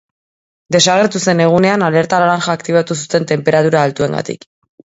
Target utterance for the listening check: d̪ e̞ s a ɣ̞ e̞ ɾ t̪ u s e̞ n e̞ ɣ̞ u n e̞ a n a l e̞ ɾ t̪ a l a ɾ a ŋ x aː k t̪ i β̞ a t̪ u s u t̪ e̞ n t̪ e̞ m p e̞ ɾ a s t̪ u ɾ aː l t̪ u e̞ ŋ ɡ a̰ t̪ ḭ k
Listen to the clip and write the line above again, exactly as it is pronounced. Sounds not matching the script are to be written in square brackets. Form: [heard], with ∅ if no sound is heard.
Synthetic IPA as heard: d̪ e̞ s a ɣ̞ e̞ ɾ t̪ u s e̞ n e̞ ɣ̞ u n e̞ a n a l e̞ ɾ t̪ a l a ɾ a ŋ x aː k t̪ i β̞ a t̪ u s u t̪ e̞ n t̪ e̞ m p e̞ ɾ a [∅] t̪ u ɾ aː l t̪ u e̞ ŋ ɡ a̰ t̪ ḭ k

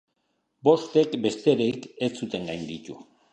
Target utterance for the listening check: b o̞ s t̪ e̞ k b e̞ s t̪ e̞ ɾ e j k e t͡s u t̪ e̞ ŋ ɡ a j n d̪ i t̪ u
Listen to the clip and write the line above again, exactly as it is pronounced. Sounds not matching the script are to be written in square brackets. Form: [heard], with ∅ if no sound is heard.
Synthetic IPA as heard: b o̞ s t̪ e̞ k b e̞ s t̪ e̞ ɾ e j k e t͡s u t̪ e̞ ŋ ɡ a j n d̪ i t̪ u

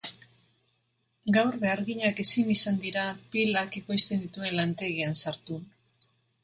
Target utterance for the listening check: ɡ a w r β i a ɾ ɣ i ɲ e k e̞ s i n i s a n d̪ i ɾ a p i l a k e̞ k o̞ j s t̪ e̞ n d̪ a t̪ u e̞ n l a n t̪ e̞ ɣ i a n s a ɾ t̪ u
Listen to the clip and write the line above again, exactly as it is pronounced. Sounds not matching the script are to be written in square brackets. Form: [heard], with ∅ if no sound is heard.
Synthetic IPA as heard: ɡ a w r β [e] a ɾ ɣ i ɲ [a] k e̞ s i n i s a n d̪ i ɾ a p i l a k e̞ k o̞ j s t̪ e̞ n d̪ [i] t̪ u e̞ n l a n t̪ e̞ ɣ i a n s a ɾ t̪ u

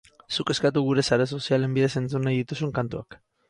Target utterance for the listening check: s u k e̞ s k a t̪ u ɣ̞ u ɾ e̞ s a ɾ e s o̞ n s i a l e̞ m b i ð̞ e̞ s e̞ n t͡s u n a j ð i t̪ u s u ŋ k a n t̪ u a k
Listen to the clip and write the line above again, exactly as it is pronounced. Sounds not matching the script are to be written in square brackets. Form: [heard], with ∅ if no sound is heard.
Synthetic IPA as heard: s u k e̞ s k a t̪ u ɣ̞ u ɾ e̞ s a ɾ e s o̞ [∅] s i a l e̞ m b i ð̞ e̞ s e̞ n t͡s u n a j ð i t̪ u s u ŋ k a n t̪ u a k

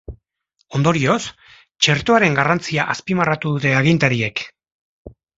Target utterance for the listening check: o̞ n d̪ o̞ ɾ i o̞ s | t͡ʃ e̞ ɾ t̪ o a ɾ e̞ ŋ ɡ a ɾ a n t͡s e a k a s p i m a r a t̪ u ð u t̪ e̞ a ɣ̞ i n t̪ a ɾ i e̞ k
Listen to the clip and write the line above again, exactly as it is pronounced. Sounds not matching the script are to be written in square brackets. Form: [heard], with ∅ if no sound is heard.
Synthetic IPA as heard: o̞ n d̪ o̞ ɾ i o̞ s | t͡ʃ e̞ ɾ t̪ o a ɾ e̞ ŋ ɡ a [r] a n t͡s [i] a [ʔ] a s p i m a r a t̪ u ð u t̪ e̞ a ɣ̞ i n t̪ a ɾ i e̞ k

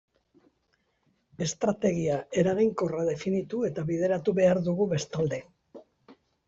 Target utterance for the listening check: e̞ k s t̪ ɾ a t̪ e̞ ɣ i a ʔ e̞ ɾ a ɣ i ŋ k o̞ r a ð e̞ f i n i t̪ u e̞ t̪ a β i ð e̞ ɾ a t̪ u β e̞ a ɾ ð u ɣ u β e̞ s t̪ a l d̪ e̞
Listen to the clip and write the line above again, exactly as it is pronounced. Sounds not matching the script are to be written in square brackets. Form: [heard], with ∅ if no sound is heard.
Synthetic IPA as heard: e̞ [∅] s t̪ ɾ a t̪ e̞ ɣ i a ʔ e̞ ɾ a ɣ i ŋ k o̞ r a ð e̞ f i n i t̪ u e̞ t̪ a β i ð e̞ ɾ a t̪ u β e̞ a ɾ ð u ɣ u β e̞ s t̪ a l d̪ e̞

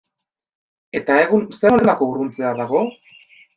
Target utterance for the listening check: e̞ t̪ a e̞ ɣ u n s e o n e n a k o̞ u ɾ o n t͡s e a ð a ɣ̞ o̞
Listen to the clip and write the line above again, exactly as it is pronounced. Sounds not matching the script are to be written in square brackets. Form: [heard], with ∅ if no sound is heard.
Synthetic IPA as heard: e̞ t̪ a e̞ ɣ u n s e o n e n a k o̞ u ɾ [u] n t͡s e a ð a ɣ̞ o̞

